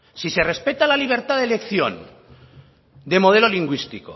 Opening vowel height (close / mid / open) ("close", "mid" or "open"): close